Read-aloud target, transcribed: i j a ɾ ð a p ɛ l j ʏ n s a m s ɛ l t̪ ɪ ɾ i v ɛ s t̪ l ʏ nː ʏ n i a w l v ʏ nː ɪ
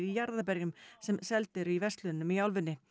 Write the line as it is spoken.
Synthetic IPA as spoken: i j a ɾ ð a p ɛ ɾ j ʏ m s ɛ m s ɛ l t̪ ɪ ɾ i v ɛ s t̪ l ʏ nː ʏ m i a w l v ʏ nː ɪ